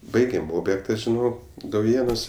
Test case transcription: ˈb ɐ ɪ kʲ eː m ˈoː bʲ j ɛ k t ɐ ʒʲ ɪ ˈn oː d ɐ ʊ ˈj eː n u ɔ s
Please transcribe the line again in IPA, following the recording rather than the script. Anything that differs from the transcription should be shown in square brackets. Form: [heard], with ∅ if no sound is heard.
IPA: ˈb ɐ ɪ [ɡʲ] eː m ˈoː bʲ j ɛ k t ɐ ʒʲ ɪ ˈn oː d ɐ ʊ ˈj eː n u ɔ s

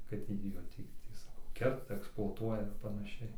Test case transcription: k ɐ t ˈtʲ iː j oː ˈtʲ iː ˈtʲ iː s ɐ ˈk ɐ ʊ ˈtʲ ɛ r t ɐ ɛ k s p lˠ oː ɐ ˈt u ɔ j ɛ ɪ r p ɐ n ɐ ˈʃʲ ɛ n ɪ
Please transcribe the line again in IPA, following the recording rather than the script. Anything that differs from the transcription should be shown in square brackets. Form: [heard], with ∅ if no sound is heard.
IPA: k ɐ t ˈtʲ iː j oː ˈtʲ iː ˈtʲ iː s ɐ ˈk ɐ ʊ [ˈkʲ] ɛ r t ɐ ɛ k s p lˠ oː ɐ ˈt u ɔ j ɛ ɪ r p ɐ n ɐ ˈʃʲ ɛ [∅] ɪ

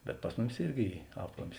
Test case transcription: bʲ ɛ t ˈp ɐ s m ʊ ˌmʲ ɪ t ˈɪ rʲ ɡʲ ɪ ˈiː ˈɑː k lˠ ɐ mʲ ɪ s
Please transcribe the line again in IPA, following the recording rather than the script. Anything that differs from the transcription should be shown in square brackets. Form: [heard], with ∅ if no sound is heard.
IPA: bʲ ɛ t ˈp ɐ s m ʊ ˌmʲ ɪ [s] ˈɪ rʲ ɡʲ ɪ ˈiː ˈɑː [p] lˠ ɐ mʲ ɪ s

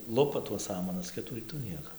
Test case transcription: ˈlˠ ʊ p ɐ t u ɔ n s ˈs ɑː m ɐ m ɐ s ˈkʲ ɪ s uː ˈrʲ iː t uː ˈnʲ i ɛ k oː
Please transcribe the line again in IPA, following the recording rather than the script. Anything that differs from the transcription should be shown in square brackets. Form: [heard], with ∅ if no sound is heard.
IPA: ˈlˠ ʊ p ɐ t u ɔ [∅] s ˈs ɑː m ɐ [n] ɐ s ˈkʲ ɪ [t] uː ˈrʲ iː t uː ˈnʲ i ɛ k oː

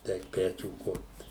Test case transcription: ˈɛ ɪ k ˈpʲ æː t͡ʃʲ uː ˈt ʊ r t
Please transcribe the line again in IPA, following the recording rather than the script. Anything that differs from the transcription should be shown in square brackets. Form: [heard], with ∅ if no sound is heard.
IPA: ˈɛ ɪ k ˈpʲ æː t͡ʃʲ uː [ˈk] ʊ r t

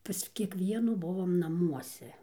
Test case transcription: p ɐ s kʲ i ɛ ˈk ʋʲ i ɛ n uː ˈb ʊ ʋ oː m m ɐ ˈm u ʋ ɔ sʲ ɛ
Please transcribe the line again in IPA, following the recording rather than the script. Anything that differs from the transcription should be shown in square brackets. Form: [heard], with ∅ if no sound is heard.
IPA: p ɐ s kʲ i ɛ ˈk ʋʲ i ɛ n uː ˈb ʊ ʋ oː m [n] ɐ ˈm u [∅] ɔ sʲ ɛ

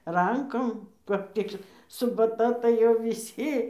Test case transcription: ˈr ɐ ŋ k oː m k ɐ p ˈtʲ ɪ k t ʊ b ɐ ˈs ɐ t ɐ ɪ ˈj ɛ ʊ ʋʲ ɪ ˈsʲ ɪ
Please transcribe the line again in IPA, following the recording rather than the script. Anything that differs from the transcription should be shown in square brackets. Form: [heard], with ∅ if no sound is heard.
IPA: ˈr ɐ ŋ k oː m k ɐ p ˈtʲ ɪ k [s] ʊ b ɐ [ˈt] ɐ t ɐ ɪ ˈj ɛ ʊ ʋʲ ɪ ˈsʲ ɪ

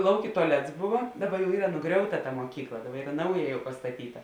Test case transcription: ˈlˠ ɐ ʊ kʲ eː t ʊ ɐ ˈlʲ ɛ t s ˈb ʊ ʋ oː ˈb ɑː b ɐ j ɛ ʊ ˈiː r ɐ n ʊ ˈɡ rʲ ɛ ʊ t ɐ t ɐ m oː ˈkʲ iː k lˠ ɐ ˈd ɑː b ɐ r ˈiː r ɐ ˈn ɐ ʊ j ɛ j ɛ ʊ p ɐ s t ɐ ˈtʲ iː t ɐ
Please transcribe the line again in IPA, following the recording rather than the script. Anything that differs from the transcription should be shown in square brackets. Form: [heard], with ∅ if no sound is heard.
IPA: ˈlˠ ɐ ʊ kʲ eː t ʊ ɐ ˈlʲ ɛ t s ˈb ʊ ʋ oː [ˈd] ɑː b ɐ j ɛ ʊ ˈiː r ɐ n ʊ ˈɡ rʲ ɛ ʊ t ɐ t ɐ m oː ˈkʲ iː k lˠ ɐ ˈd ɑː b ɐ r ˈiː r ɐ ˈn ɐ ʊ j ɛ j ɛ ʊ p ɐ s t ɐ ˈtʲ iː t ɐ

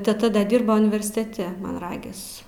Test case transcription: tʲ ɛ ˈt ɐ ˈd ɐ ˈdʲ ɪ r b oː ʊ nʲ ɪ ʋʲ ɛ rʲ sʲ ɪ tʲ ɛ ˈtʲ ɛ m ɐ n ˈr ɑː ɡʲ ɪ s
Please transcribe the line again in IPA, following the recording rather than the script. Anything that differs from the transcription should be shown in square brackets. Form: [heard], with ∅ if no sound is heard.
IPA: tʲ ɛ ˈt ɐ ˈd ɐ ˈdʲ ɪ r b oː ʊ nʲ ɪ ʋʲ ɛ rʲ sʲ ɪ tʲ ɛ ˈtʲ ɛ m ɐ n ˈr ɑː ɡʲ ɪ s

